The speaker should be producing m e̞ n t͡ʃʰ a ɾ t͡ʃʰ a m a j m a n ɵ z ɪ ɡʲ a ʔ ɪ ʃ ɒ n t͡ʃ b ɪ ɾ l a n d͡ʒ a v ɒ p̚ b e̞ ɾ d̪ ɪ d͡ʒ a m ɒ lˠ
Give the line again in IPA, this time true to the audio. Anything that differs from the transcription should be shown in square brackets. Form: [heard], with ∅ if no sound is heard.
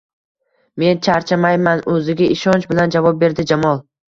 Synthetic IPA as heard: m e̞ n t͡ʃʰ a ɾ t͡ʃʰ a m a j m a n ɵ z ɪ ɡʲ a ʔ ɪ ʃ ɒ n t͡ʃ b ɪ [∅] l a n d͡ʒ a v ɒ p̚ b e̞ ɾ d̪ ɪ d͡ʒ a m ɒ lˠ

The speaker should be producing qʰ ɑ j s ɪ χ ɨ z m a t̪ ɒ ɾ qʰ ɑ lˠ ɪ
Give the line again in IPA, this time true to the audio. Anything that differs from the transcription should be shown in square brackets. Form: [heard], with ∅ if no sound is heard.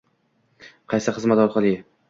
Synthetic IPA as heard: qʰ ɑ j s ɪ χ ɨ z m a t̪ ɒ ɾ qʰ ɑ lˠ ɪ

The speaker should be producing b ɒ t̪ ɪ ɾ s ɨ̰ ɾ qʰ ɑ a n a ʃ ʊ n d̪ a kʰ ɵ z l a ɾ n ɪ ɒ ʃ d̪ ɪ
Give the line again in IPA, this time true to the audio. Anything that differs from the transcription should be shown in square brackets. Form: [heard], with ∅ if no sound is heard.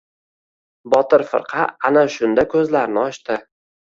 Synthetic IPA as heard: b ɒ t̪ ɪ ɾ [f] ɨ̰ ɾ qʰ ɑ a n a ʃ ʊ n d̪ a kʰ ɵ z l a ɾ n ɪ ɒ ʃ [t̪] ɪ

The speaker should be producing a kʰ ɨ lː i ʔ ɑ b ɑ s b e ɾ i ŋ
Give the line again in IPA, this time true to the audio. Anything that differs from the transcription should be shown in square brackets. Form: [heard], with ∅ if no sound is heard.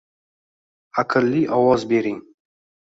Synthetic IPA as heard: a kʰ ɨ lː i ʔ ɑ [w] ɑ [z] b e ɾ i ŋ

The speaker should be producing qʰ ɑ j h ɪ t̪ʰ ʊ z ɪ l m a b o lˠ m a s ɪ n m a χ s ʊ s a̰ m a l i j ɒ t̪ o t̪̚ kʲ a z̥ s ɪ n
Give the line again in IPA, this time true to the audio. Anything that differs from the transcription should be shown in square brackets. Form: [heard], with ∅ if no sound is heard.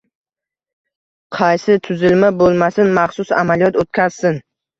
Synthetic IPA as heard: qʰ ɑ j [s] ɪ t̪ʰ ʊ z ɪ l m a b o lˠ m a s ɪ n m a χ s ʊ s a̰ m a l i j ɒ t̪ o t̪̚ kʲ a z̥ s ɪ n

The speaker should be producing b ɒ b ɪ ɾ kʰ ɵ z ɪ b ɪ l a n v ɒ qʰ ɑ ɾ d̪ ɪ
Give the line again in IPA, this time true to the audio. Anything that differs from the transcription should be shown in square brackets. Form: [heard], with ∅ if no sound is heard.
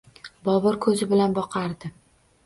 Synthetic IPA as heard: b ɒ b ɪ ɾ kʰ ɵ z ɪ b ɪ l a n [b] ɒ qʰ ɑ ɾ d̪ ɪ

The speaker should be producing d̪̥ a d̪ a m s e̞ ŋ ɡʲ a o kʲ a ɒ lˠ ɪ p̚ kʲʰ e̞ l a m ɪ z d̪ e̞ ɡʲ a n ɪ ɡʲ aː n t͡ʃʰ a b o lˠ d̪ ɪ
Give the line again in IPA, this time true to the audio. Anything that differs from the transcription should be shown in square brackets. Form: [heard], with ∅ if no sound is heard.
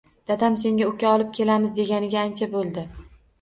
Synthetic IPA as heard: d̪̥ a d̪ a m s e̞ ŋ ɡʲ a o kʲ a ɒ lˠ ɪ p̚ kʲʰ e̞ l a m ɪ z d̪ e̞ ɡʲ a n ɪ ɡʲ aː n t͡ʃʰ a b o lˠ d̪ ɪ

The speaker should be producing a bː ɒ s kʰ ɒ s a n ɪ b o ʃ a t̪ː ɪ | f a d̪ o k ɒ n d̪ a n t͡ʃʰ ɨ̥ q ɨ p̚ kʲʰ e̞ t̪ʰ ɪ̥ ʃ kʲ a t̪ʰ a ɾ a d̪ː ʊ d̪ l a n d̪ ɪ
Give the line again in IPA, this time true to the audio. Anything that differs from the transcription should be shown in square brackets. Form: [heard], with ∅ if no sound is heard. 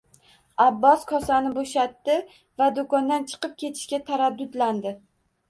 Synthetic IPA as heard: a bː ɒ s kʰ ɒ s a n ɪ b o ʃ a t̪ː ɪ | [v] a d̪ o k ɒ n d̪ a n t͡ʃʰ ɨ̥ q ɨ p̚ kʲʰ e̞ t̪ʰ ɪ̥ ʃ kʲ a t̪ʰ a ɾ a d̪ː ʊ d̪ l a n d̪ ɪ

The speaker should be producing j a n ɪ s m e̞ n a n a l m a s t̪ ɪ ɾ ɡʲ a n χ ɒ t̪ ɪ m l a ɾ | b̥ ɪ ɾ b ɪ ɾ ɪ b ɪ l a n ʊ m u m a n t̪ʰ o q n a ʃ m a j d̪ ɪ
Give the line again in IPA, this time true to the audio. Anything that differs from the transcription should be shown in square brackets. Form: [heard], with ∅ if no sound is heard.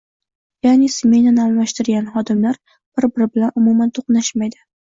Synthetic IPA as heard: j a n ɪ s m e̞ n a n a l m a [ʃ] t̪ ɪ ɾ ɡʲ a n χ ɒ [d̪] ɪ m l a ɾ | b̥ ɪ ɾ b ɪ ɾ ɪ b ɪ l a n ʊ m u m a n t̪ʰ o q n a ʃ m a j d̪ ɪ

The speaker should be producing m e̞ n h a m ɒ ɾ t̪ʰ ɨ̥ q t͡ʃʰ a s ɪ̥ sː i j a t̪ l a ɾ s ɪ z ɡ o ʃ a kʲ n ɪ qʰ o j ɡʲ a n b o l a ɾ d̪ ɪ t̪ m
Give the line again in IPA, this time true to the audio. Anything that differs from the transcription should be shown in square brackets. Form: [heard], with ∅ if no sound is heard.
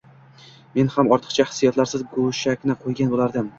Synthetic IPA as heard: m e̞ n h a m ɒ ɾ t̪ʰ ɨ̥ q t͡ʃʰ a [h] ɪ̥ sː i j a t̪ l a ɾ s ɪ z ɡ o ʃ a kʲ n ɪ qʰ o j ɡʲ a n b o l a ɾ d̪ ɪ [∅] m

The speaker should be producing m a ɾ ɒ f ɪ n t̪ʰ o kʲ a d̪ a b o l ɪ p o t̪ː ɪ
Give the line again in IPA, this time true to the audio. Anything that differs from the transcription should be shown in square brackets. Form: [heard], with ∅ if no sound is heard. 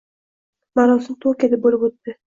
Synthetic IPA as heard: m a ɾ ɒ [s] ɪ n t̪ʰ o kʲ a d̪ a b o l ɪ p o t̪ː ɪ

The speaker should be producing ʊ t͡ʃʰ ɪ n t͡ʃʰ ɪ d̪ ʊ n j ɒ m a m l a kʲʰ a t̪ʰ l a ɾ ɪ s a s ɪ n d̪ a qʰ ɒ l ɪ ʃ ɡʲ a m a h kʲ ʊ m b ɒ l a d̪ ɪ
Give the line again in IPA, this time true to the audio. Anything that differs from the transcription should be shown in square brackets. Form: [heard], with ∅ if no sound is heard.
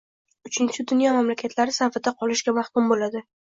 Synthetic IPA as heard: ʊ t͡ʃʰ ɪ n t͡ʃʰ ɪ d̪ ʊ n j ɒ m a m l a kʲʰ a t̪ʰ l a ɾ ɪ s a [f] ɪ [∅] d̪ a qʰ ɒ l ɪ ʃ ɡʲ a m a h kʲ ʊ m b [o] l a d̪ ɪ

